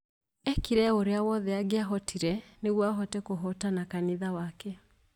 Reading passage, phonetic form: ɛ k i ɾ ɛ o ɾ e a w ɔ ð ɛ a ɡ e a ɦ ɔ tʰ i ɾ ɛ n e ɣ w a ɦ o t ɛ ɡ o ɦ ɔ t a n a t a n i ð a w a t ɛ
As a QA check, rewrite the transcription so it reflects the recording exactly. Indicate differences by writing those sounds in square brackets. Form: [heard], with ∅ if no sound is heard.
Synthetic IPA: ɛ k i ɾ ɛ o ɾ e a w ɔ ð ɛ a ɡ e a ɦ ɔ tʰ i ɾ ɛ n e ɣ w a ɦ [ɔ] t ɛ [k] o ɦ ɔ t a n a [k] a n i ð a w a [k] ɛ